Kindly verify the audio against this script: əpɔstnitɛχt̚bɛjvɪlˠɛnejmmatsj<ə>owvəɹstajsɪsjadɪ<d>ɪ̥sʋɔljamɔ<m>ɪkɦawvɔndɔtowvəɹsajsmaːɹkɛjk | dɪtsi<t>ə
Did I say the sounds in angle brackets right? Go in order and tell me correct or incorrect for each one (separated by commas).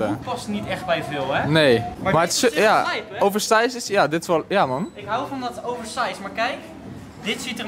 incorrect, incorrect, incorrect, correct